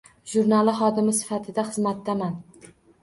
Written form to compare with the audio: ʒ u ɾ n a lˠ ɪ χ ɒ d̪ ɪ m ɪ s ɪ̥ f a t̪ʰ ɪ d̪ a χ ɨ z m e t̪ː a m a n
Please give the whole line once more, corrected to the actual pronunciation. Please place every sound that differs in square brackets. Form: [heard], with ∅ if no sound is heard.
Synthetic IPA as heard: ʒ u ɾ n a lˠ ɪ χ ɒ d̪ ɪ m ɪ s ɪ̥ f a t̪ʰ ɪ d̪ a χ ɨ z m [a] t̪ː a m a n